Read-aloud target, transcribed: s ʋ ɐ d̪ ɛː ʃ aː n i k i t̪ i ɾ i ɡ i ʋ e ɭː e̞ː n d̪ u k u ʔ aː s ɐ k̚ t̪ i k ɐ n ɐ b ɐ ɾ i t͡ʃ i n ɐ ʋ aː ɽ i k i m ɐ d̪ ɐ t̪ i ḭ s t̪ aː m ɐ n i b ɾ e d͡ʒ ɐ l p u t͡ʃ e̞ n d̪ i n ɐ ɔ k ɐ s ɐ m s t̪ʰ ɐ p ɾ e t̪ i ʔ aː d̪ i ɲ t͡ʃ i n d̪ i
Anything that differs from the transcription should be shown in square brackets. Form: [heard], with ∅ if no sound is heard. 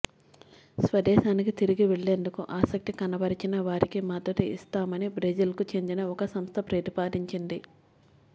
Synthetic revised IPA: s ʋ ɐ d̪ ɛː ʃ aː n i k i t̪ i ɾ i ɡ i ʋ e ɭː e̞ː n d̪ u k u ʔ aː s ɐ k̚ t̪ i k ɐ n ɐ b ɐ ɾ i t͡ʃ i n ɐ ʋ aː [ɾ] i k i m ɐ d̪ ɐ t̪ i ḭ s t̪ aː m ɐ n i b ɾ e d͡ʒ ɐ l [k] u t͡ʃ e̞ n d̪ i n ɐ ɔ k ɐ s ɐ m s t̪ʰ ɐ p ɾ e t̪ i [p] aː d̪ i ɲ t͡ʃ i n d̪ i